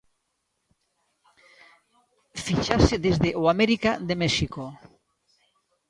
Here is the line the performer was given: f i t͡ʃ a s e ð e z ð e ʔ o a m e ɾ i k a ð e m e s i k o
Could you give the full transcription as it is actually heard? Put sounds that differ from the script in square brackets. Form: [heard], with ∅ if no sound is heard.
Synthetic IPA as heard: f i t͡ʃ a s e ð e z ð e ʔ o a m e ɾ i k a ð e m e [ʃ] i k o